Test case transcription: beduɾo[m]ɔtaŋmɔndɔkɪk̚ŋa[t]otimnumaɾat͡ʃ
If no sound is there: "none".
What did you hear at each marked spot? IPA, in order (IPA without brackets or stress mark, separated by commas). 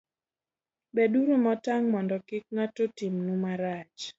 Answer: m, t